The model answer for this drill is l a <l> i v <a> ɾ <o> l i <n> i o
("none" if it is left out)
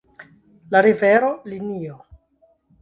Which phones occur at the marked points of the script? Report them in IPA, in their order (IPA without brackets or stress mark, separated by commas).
ɾ, e, o, n